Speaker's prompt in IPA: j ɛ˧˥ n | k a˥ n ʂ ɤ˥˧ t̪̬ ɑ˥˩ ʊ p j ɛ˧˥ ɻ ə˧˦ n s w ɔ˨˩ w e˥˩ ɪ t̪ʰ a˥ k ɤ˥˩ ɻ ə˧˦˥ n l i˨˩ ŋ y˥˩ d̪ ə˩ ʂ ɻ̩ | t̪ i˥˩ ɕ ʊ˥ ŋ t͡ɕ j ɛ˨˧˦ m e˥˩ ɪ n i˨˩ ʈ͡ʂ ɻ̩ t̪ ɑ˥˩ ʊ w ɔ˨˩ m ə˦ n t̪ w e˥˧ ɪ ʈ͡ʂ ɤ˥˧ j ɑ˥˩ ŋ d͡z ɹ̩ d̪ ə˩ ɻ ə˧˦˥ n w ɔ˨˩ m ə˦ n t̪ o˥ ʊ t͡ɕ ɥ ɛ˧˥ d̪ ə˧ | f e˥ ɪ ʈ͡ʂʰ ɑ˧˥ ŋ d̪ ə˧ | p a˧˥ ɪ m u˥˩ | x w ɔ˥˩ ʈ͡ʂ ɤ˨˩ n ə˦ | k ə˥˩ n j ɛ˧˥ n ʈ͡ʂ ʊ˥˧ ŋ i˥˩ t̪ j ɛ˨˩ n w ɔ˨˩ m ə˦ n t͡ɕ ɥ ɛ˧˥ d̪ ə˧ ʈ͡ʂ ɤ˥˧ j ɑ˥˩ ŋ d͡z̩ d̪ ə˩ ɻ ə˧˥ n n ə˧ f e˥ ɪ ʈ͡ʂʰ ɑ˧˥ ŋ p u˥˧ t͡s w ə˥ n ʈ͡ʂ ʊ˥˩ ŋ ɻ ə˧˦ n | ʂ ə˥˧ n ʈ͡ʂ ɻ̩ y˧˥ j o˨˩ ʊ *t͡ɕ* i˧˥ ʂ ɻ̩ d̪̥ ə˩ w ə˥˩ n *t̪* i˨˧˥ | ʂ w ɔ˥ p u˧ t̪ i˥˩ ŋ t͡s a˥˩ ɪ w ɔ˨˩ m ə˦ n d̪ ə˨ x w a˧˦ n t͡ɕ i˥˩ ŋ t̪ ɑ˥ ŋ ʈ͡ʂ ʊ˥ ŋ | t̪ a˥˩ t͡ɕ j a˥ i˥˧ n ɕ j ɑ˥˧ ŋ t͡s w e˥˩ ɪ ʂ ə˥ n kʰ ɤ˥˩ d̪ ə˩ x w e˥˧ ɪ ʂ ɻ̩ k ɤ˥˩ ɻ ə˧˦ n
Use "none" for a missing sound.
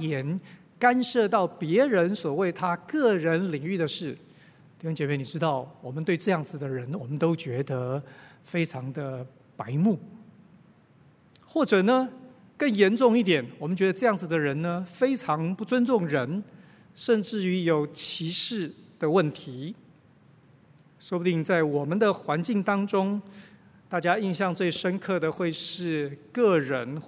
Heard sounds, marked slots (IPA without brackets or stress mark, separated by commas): t͡ɕʰ, t̪ʰ